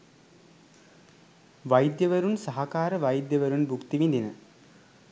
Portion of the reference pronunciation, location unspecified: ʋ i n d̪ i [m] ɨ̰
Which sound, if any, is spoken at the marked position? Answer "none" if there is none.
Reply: n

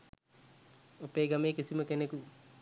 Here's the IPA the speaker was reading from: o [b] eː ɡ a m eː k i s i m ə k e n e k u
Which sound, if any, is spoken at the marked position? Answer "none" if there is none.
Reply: p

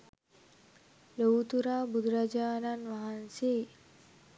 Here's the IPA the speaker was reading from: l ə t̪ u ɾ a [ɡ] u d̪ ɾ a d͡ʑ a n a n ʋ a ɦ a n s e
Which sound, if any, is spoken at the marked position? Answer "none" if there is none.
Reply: b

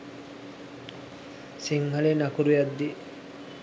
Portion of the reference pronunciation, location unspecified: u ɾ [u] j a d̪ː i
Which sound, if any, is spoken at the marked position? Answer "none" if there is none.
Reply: u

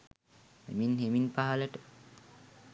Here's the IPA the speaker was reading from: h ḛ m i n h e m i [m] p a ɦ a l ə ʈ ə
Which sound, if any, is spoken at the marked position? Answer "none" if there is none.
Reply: n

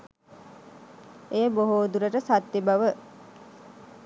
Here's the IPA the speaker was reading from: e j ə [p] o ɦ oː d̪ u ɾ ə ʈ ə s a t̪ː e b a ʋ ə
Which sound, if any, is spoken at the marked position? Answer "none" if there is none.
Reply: b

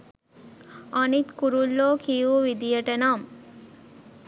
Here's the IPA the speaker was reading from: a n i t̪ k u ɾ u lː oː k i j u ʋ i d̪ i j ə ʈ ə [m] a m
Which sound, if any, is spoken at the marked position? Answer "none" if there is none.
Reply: n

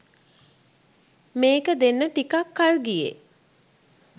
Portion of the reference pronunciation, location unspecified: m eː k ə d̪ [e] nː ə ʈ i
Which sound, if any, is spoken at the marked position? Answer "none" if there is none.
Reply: e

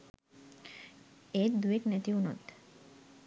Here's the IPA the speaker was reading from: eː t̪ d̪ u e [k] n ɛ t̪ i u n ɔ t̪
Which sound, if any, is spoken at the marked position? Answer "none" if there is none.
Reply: k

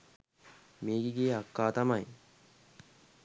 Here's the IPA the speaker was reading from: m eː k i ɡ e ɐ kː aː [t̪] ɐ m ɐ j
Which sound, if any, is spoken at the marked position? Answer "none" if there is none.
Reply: t̪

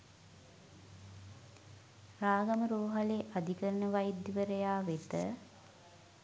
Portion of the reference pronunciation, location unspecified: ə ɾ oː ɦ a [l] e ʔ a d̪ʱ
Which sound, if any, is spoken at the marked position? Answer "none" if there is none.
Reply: l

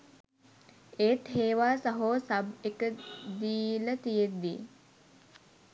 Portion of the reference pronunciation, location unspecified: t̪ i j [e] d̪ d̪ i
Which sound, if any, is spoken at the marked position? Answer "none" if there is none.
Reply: e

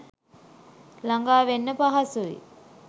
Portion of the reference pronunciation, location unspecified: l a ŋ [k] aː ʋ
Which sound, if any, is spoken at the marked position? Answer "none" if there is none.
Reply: ɡ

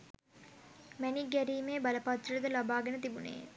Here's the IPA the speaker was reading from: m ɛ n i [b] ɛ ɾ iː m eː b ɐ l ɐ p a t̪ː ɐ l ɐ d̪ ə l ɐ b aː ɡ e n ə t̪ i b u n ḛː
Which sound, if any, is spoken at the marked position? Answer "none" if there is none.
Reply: ɡ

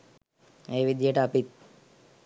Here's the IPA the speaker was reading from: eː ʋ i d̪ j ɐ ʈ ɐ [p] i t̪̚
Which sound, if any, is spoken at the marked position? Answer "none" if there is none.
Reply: p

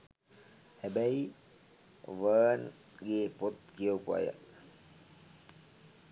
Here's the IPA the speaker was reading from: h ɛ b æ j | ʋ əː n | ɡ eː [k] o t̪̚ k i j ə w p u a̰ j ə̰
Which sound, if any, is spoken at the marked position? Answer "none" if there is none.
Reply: p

